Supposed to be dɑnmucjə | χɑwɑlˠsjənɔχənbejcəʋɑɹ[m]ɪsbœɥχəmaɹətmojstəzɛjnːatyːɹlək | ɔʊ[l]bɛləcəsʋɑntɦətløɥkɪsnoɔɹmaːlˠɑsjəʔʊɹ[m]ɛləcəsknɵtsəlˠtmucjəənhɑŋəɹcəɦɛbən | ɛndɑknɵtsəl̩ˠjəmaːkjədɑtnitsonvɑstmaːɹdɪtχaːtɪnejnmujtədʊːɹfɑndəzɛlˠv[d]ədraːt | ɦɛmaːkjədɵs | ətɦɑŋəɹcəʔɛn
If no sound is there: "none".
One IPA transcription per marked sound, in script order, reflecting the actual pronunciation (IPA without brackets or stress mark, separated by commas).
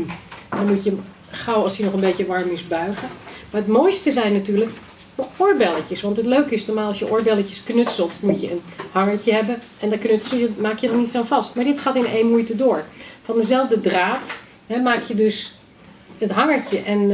m, ɹ, b, d